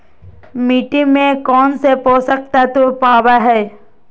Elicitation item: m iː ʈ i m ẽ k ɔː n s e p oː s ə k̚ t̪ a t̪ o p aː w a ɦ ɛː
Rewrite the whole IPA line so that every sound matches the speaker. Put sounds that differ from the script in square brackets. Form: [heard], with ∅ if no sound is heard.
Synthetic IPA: m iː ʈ i m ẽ k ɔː n s e p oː s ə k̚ t̪ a t̪ o p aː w a ɦ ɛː